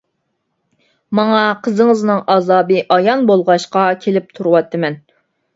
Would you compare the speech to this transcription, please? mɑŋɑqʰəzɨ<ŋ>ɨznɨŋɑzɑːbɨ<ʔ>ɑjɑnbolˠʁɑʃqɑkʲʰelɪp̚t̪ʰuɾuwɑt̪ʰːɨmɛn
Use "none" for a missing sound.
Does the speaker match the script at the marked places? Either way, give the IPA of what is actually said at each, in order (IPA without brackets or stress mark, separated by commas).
ŋ, ʔ